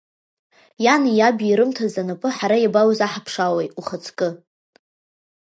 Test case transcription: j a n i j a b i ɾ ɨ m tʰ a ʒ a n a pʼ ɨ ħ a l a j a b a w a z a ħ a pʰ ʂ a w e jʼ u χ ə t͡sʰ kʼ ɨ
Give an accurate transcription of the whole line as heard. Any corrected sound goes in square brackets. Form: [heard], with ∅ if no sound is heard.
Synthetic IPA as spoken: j a n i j a b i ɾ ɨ m tʰ a [z] a n a pʼ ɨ ħ a [ɾ] a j a b a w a z a ħ a pʰ ʂ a w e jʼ u χ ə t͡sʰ kʼ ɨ